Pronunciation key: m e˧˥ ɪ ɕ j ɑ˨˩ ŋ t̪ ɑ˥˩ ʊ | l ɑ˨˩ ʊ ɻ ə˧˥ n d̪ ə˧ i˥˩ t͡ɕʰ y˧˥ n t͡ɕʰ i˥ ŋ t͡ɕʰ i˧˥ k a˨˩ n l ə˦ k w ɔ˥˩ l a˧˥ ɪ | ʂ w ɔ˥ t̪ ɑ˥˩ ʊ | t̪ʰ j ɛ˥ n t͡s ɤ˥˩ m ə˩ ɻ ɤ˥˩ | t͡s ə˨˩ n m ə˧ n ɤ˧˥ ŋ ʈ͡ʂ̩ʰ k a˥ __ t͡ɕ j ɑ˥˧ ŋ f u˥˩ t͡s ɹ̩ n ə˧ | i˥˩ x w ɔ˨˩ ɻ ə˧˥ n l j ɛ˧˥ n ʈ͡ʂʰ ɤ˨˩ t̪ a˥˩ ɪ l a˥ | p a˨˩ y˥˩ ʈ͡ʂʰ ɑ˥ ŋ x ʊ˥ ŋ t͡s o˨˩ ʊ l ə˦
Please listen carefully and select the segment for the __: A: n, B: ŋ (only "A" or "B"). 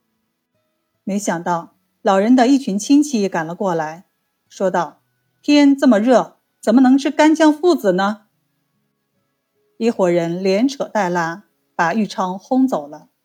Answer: A